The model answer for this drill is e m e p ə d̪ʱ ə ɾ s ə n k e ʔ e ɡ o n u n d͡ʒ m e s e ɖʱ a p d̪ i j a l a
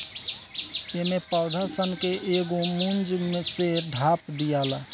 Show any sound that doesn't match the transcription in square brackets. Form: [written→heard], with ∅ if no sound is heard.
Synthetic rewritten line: e m e p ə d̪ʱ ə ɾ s ə n k e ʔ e ɡ o [n→m] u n d͡ʒ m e s e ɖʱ a p d̪ i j a l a

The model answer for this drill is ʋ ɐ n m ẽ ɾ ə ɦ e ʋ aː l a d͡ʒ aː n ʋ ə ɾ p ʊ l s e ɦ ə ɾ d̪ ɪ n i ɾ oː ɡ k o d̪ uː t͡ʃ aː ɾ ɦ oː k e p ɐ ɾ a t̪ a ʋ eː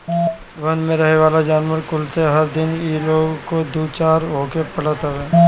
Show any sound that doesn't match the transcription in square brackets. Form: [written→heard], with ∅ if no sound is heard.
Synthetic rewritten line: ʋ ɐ n m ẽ ɾ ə ɦ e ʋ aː l a d͡ʒ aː n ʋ ə ɾ [p→k] ʊ l s e ɦ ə ɾ d̪ ɪ n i [ɾ→l] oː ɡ k o d̪ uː t͡ʃ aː ɾ ɦ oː k e p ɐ [ɾ→ɽ] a t̪ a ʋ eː

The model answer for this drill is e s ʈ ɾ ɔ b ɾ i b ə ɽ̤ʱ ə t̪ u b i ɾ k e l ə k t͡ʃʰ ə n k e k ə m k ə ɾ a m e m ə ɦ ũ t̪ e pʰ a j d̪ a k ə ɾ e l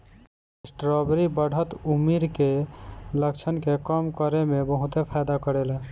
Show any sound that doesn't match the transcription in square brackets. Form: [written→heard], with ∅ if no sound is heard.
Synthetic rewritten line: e s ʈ ɾ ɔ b ɾ i b ə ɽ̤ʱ ə t̪ u [b→m] i ɾ k e l ə k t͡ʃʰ ə n k e k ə m k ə ɾ [a→e] m e [m→b] ə ɦ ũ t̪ e pʰ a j d̪ a k ə ɾ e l

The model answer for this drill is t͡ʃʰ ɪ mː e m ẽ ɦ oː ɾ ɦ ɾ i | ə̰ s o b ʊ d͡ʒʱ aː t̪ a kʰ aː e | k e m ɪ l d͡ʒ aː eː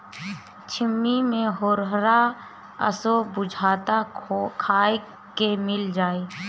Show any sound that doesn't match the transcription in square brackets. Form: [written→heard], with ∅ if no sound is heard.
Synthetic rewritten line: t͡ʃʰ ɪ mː [e→i] m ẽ ɦ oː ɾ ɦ ɾ [i→a] | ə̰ s o b ʊ d͡ʒʱ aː t̪ a kʰ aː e | k e m ɪ l d͡ʒ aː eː

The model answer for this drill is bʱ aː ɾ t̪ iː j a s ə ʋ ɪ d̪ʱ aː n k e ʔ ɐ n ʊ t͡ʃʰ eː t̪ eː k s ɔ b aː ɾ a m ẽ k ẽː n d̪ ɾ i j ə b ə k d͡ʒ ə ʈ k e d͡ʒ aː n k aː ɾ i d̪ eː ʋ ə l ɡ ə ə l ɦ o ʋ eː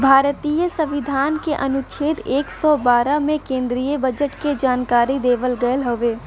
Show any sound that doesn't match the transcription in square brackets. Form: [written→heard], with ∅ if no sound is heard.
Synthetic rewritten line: bʱ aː ɾ t̪ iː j [a→ə] s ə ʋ ɪ d̪ʱ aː n k e ʔ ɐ n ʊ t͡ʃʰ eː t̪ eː k s ɔ b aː ɾ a m ẽ k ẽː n d̪ ɾ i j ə b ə [k→∅] d͡ʒ ə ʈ k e d͡ʒ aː n k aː ɾ i d̪ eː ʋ ə l ɡ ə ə l ɦ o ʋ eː

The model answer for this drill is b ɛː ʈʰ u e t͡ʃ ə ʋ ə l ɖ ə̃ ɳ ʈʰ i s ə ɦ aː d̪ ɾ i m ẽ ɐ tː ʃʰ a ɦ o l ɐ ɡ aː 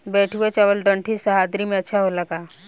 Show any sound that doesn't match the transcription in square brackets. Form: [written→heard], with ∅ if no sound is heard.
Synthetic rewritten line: b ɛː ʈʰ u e t͡ʃ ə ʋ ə l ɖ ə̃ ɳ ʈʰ i s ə ɦ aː d̪ ɾ i m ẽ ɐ tː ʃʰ a ɦ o l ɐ ɡ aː

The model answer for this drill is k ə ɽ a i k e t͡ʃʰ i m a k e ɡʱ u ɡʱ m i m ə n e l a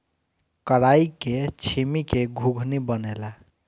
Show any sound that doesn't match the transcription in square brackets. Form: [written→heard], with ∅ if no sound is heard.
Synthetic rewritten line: k ə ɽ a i k e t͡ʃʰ i m [a→i] k e ɡʱ u ɡʱ [m→n] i [m→b] ə n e l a

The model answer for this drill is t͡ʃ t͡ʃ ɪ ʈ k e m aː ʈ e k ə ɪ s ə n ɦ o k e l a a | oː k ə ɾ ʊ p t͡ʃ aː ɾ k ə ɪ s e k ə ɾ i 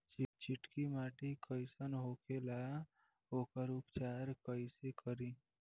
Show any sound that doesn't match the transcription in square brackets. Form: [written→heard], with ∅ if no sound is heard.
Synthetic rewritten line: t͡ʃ t͡ʃ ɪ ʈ k [e→i] m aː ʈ [e→i] k ə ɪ s ə n ɦ o k e l a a | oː k ə ɾ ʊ p t͡ʃ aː ɾ k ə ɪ s e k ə ɾ i

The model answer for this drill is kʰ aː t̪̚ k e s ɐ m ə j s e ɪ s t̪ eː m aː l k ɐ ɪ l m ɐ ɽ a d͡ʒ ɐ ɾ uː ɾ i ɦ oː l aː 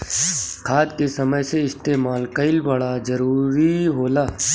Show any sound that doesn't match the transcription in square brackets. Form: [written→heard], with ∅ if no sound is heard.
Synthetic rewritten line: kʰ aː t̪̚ k e s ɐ m ə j s e ɪ s t̪ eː m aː l k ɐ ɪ l [m→b] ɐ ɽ a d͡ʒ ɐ ɾ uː ɾ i ɦ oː l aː

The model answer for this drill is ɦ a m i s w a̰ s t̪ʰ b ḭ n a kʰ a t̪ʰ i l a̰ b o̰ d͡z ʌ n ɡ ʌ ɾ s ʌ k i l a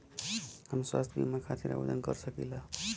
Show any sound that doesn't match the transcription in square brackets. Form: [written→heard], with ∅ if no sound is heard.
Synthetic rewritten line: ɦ a m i s w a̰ s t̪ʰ b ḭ [n→m] a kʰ a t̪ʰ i [l→ɾ] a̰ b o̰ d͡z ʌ n ɡ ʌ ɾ s ʌ k i l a

